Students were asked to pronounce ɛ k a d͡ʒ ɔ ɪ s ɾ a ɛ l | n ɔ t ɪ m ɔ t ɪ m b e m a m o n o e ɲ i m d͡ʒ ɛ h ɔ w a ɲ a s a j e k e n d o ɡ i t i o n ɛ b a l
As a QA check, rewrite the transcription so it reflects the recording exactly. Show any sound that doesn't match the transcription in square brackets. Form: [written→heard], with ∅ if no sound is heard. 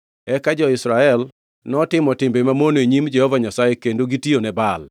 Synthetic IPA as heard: ɛ k a d͡ʒ ɔ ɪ s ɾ a ɛ l | n ɔ t ɪ m ɔ t ɪ m b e m a m o n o e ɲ i m d͡ʒ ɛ h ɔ [w→v] a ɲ a s a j e k e n d o ɡ i t i o n ɛ b a l